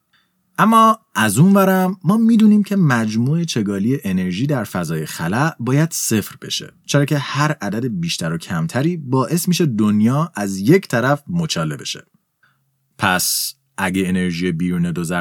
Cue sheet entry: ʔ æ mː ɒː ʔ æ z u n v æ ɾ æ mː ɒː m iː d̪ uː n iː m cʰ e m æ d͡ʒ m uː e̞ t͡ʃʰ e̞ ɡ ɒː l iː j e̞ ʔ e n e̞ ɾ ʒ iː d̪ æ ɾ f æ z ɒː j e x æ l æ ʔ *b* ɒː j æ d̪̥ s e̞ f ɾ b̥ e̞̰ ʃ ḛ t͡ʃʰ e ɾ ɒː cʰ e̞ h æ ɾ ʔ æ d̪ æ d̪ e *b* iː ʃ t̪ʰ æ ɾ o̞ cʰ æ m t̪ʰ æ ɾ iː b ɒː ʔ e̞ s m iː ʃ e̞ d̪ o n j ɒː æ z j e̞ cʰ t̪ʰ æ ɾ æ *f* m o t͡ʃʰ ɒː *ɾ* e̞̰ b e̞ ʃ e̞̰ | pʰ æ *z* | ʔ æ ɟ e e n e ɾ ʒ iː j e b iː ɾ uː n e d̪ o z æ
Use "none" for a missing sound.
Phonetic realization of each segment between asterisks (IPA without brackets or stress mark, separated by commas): b, b, f, l, s